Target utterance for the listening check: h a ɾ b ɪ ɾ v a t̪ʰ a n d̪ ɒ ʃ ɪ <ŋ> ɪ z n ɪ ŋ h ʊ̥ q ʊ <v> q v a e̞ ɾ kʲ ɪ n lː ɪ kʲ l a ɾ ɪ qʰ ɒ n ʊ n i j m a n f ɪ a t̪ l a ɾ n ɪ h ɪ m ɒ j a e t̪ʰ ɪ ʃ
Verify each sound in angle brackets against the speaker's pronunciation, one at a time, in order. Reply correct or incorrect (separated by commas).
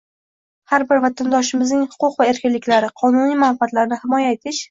incorrect, incorrect